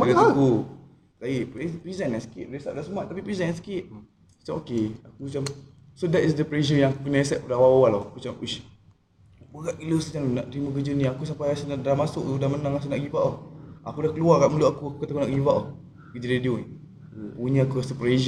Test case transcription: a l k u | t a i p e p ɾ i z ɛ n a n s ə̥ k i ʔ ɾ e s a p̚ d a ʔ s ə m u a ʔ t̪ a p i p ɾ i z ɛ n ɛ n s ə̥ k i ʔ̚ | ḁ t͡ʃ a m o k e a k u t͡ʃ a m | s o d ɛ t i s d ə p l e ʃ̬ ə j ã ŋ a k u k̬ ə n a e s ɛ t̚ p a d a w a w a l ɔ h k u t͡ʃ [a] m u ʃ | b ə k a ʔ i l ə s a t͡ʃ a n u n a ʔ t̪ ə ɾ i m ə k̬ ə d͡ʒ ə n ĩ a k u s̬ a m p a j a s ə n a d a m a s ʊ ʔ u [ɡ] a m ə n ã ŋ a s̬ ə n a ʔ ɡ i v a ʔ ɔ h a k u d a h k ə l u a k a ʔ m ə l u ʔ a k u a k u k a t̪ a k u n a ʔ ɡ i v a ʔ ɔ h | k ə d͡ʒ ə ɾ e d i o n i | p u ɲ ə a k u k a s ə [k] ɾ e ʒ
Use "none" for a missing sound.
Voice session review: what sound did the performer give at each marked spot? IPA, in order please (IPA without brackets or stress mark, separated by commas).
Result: a, d, p